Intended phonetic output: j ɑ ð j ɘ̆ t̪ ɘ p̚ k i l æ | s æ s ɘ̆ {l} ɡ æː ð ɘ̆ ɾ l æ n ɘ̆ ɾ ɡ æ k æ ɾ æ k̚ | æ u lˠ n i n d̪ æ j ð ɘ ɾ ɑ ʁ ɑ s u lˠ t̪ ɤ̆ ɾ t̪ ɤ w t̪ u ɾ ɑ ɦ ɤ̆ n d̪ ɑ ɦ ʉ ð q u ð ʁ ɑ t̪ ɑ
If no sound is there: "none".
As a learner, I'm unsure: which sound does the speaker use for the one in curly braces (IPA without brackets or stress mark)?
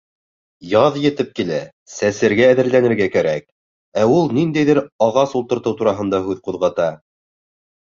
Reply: ɾ